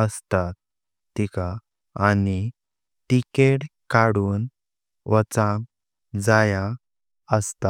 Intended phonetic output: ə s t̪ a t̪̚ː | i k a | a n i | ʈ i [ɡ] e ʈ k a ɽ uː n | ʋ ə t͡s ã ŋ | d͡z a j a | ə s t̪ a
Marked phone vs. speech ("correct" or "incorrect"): incorrect